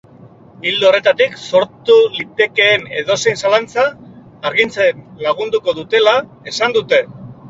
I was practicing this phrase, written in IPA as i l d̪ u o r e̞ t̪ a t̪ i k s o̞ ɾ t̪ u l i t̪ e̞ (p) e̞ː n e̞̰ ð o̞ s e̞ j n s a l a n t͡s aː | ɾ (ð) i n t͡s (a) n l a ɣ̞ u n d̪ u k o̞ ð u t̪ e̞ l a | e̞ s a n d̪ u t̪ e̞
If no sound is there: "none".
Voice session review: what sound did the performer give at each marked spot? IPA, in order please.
k, ɣ, e

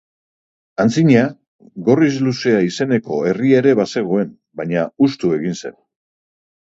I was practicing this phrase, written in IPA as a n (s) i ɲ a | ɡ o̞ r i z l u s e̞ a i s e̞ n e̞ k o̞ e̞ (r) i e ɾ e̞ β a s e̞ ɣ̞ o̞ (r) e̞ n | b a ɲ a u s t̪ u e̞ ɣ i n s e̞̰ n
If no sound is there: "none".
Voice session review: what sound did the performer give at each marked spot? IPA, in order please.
t͡s, r, none

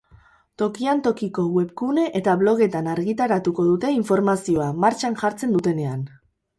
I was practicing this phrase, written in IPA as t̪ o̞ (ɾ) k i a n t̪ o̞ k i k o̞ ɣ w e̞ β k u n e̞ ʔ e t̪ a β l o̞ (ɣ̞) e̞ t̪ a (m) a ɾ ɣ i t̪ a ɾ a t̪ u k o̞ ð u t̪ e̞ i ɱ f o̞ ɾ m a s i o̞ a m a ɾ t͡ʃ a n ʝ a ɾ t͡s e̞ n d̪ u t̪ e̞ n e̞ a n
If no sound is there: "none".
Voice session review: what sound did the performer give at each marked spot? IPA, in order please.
none, ɣ̞, n

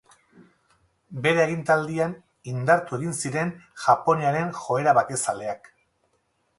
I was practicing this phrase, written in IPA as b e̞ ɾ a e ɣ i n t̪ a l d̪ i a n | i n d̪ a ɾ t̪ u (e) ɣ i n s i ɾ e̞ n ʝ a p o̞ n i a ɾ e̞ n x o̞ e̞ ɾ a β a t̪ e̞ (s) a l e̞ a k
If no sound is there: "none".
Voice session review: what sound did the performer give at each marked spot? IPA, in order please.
e, s

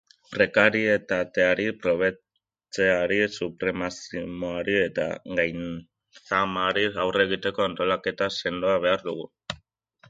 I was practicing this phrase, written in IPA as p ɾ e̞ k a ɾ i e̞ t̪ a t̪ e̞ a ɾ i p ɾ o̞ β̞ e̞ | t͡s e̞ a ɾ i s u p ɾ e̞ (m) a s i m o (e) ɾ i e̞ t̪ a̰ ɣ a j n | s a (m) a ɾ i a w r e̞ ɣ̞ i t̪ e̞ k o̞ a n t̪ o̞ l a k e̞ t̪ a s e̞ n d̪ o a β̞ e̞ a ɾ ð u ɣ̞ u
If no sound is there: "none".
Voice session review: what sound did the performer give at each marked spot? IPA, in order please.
m, a, m

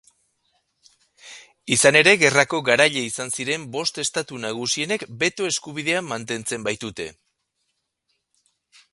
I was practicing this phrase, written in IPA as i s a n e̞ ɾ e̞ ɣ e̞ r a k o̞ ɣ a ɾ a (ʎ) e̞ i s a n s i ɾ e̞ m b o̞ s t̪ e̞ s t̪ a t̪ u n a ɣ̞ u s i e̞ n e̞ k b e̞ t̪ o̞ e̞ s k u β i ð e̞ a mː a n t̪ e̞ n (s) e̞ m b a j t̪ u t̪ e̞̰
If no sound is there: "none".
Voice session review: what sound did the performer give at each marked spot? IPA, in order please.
ʎ, t͡s

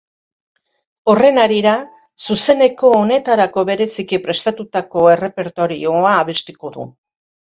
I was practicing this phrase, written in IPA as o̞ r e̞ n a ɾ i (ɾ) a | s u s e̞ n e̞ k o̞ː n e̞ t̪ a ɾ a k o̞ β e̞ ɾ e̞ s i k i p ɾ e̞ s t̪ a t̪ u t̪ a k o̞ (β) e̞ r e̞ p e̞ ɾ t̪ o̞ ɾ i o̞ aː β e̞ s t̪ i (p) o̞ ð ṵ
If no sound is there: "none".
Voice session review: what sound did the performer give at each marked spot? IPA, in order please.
ɾ, none, k

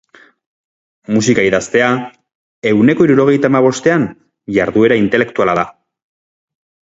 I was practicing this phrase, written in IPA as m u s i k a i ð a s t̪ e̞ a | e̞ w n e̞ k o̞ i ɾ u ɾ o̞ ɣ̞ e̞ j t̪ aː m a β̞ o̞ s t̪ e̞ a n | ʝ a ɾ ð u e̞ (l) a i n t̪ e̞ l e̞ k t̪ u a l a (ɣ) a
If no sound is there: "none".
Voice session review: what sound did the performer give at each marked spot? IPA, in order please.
ɾ, ð

